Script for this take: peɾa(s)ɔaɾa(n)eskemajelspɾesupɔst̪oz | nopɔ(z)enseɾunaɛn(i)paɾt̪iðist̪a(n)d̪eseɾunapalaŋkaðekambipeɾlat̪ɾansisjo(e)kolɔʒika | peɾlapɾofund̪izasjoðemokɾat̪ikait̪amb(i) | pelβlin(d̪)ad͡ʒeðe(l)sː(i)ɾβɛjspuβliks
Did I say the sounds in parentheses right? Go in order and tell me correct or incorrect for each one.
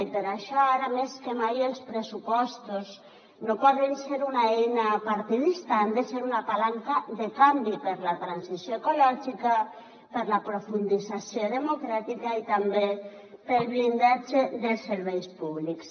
incorrect: ʃ, incorrect: m, incorrect: ð, incorrect: a, correct, correct, incorrect: e, correct, correct, incorrect: e

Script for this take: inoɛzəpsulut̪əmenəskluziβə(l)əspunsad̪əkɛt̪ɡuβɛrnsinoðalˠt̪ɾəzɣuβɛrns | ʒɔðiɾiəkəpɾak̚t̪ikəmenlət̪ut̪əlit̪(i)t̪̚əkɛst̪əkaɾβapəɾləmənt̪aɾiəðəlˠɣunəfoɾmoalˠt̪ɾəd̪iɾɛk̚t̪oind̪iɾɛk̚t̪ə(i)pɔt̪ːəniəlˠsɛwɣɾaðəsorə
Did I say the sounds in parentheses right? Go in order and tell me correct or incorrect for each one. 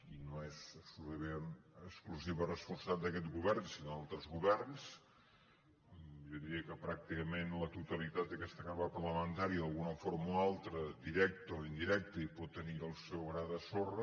incorrect: r, incorrect: a, correct

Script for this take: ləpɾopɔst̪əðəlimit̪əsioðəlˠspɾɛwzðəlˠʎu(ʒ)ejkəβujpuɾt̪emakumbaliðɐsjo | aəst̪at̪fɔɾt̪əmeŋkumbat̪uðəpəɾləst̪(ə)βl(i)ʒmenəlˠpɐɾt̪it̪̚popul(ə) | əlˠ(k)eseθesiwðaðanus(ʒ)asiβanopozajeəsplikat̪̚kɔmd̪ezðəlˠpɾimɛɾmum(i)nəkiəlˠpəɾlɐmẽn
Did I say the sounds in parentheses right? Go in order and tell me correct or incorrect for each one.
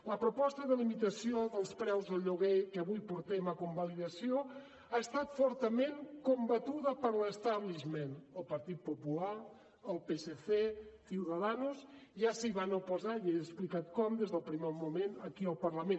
incorrect: ɣ, incorrect: a, correct, incorrect: a, incorrect: p, correct, incorrect: e

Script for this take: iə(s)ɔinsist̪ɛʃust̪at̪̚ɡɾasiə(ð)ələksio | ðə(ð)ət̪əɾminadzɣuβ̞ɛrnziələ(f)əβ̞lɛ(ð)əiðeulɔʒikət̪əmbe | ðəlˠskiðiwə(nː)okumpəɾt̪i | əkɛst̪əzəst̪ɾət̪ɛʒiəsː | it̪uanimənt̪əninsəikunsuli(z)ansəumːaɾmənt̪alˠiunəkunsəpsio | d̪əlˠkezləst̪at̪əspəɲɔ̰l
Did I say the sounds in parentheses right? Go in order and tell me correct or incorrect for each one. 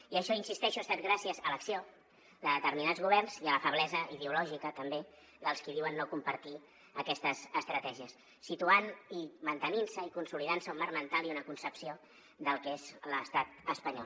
incorrect: ʃ, incorrect: z, correct, correct, incorrect: z, correct, incorrect: ð

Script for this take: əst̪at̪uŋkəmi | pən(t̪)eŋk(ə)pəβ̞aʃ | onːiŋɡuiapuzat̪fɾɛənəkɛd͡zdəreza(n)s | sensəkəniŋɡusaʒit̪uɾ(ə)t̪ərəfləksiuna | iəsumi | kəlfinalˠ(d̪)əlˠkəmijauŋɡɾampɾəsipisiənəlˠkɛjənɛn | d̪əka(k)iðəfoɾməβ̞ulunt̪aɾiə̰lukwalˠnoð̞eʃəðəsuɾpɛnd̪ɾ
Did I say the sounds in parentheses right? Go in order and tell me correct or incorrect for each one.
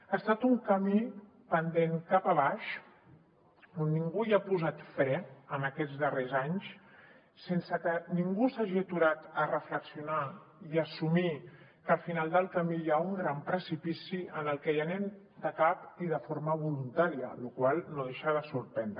incorrect: d̪, incorrect: a, incorrect: ɲ, incorrect: a, correct, incorrect: p

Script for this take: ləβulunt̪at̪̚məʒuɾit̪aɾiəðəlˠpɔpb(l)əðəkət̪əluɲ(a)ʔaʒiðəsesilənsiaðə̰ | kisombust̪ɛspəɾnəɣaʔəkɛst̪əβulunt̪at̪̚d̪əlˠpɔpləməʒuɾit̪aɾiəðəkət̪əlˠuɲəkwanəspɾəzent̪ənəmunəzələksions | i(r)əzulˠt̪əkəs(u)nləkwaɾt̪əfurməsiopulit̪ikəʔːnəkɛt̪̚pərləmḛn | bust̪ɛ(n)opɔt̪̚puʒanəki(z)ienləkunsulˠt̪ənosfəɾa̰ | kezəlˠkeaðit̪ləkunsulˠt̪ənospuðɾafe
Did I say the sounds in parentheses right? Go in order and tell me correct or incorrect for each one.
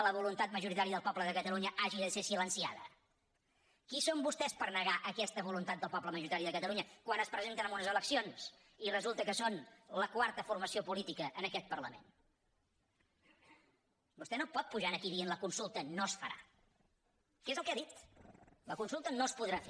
correct, incorrect: ə, correct, incorrect: o, correct, incorrect: ð

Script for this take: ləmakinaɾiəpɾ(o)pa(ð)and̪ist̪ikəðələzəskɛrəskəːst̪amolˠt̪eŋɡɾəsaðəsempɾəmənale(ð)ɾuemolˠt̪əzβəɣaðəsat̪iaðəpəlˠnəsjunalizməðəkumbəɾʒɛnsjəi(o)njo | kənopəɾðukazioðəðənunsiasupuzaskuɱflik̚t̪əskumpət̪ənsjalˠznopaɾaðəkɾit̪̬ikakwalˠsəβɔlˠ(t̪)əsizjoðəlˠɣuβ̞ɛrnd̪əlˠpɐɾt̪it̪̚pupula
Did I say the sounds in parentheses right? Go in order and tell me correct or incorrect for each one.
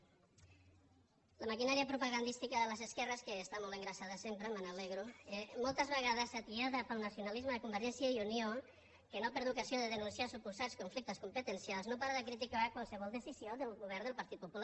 incorrect: u, incorrect: ɣ, incorrect: ɣ, incorrect: u, incorrect: d̪

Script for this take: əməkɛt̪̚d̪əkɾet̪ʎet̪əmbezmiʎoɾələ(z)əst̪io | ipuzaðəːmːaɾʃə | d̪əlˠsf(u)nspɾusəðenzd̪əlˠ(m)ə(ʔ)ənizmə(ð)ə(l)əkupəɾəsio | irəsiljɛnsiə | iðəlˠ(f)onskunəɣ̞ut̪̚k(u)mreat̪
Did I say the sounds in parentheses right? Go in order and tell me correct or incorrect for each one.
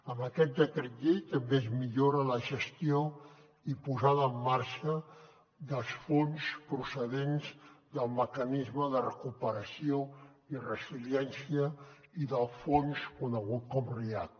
incorrect: ʒ, incorrect: o, correct, incorrect: k, correct, incorrect: r, correct, incorrect: ɔ

